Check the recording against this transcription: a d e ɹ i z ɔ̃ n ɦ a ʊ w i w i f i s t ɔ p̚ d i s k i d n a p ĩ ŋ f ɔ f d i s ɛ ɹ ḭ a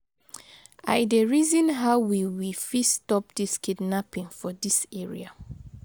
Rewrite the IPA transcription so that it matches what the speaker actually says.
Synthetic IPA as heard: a d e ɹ i z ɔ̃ n ɦ a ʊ w i w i f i s t ɔ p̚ d i s k i d n a p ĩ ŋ f ɔ d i s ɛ ɹ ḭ a